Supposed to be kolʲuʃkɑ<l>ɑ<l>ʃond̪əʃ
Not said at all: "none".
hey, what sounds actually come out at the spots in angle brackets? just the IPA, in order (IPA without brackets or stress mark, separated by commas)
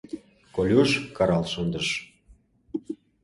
ɾ, l